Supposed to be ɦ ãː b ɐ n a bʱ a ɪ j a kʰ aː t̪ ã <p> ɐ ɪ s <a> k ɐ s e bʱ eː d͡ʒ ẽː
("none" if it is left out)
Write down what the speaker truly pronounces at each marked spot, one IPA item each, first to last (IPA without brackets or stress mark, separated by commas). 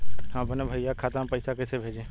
p, a